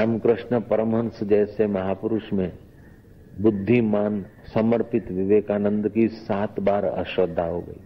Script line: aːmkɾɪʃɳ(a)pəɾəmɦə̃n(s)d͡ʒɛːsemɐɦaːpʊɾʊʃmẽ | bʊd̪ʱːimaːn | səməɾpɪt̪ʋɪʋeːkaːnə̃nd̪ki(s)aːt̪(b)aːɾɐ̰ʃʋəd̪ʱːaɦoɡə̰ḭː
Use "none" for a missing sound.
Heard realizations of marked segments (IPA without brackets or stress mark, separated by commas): ə, s, s, b